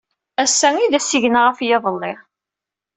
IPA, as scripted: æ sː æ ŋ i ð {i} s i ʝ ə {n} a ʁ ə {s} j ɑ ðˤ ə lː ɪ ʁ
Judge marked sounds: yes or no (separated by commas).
no, yes, no